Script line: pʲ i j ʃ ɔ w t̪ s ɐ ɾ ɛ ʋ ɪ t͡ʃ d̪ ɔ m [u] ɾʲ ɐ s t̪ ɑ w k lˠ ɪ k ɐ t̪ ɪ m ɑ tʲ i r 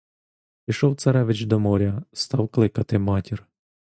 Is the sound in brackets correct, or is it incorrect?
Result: incorrect